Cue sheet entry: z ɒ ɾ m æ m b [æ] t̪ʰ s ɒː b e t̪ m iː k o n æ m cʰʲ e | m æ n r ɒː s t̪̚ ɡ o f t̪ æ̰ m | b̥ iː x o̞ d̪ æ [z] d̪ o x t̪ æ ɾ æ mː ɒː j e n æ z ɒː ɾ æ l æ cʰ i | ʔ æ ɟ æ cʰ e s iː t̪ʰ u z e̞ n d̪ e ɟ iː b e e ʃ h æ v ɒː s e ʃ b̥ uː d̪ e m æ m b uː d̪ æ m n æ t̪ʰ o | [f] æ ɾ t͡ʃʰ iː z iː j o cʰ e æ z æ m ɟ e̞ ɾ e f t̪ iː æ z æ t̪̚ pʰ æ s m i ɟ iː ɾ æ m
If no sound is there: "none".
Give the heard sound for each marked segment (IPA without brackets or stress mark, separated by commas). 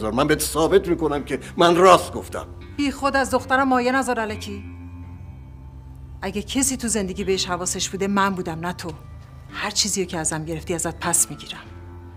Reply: e, z, h